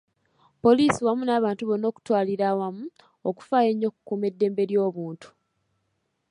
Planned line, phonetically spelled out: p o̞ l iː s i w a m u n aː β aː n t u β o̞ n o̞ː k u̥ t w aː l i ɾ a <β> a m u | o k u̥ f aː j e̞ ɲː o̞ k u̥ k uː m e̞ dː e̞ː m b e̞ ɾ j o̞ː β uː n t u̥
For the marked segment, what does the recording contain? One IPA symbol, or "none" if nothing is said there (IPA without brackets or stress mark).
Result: w